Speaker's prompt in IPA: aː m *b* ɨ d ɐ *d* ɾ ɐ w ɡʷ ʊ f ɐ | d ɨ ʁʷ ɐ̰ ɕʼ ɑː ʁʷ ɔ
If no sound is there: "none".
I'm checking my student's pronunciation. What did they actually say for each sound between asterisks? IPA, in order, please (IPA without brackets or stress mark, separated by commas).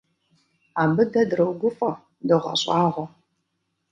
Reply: b, d